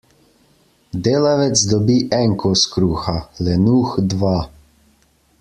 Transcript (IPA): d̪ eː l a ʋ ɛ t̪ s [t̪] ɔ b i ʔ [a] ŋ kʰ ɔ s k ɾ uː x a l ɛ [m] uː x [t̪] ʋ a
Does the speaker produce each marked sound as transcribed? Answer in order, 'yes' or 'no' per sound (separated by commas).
no, no, no, no